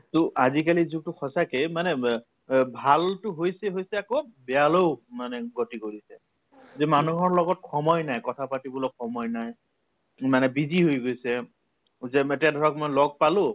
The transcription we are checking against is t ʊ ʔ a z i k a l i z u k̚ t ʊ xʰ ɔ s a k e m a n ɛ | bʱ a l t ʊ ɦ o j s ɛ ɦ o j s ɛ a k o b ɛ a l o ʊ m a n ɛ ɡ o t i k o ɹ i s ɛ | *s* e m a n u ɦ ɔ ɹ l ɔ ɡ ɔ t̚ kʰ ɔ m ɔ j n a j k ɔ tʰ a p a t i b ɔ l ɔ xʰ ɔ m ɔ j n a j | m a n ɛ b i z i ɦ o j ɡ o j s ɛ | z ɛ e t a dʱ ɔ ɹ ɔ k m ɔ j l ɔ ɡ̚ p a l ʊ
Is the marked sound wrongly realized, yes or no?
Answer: yes